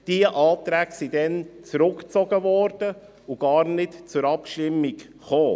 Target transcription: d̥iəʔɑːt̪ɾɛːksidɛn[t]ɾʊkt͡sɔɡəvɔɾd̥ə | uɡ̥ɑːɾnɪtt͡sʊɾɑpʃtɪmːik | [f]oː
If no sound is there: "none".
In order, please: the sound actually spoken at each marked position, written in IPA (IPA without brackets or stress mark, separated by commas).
t͡s, χ